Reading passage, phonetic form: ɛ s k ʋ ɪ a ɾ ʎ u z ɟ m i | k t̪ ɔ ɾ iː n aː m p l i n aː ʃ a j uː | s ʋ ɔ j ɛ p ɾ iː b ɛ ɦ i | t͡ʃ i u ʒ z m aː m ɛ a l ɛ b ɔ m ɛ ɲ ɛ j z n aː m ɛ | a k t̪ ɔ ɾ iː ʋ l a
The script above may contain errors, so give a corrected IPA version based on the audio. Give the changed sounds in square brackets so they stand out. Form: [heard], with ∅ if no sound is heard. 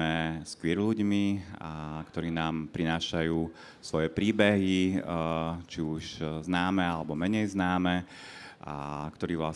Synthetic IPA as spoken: ɛ s k ʋ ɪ [ɛ] ɾ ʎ u [∅] ɟ m i | k t̪ ɔ ɾ iː n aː m p [ɾ] i n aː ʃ a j uː | s ʋ ɔ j ɛ p ɾ iː b ɛ ɦ i | t͡ʃ i u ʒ z [n] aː m ɛ a l ɛ b ɔ m ɛ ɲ ɛ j z n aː m ɛ | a k t̪ ɔ ɾ iː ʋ l a